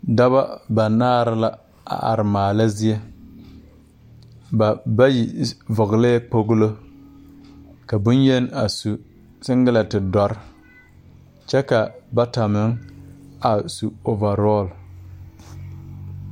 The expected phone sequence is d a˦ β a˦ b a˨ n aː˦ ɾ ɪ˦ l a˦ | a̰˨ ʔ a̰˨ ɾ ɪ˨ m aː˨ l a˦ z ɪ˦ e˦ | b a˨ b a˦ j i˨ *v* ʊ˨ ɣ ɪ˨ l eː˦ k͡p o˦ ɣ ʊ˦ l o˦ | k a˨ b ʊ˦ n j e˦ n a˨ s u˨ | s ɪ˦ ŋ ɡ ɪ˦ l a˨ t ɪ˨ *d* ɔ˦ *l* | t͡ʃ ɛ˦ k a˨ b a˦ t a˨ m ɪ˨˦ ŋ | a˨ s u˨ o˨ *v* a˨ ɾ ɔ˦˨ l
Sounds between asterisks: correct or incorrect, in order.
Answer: correct, correct, incorrect, correct

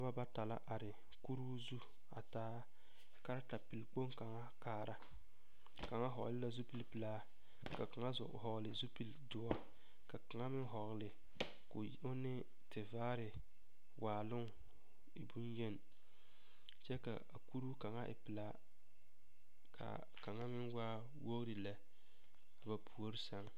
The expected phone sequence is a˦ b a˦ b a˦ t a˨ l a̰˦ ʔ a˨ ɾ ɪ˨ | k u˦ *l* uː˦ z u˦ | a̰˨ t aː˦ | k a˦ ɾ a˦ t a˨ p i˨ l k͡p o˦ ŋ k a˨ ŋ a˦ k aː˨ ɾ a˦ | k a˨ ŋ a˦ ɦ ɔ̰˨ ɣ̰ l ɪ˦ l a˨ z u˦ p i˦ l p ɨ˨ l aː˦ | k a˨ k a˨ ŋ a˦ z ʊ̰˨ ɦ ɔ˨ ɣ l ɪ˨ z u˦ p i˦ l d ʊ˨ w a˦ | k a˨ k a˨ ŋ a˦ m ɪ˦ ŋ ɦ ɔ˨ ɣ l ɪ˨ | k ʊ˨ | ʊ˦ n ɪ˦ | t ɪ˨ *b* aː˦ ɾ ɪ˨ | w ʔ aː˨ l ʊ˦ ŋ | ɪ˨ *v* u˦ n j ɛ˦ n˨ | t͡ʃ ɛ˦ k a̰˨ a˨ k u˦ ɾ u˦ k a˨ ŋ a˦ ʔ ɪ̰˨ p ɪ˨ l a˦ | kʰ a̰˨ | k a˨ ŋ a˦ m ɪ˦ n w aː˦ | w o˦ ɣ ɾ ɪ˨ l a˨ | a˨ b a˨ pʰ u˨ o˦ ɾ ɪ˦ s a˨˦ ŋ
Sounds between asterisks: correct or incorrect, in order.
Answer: incorrect, incorrect, incorrect

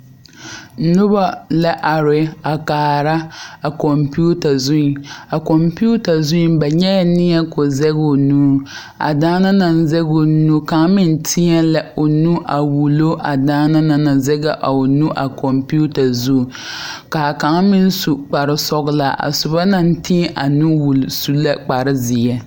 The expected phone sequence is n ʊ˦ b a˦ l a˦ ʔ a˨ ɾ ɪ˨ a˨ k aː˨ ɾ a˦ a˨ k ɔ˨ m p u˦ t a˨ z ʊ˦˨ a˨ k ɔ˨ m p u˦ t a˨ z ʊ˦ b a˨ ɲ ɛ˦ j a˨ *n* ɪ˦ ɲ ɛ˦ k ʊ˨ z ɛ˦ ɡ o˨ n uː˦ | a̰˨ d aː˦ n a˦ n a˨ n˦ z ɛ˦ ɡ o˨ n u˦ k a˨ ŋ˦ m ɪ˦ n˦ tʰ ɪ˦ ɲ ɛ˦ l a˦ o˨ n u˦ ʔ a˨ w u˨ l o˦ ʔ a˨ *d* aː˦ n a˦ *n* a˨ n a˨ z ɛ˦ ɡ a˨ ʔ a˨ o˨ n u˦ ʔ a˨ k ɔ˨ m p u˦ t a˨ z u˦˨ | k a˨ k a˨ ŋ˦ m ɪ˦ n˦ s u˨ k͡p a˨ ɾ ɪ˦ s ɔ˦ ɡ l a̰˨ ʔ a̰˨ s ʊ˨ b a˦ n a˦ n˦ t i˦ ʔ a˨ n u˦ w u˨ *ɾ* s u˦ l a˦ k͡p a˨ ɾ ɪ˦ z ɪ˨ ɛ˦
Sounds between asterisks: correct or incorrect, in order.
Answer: correct, correct, correct, incorrect

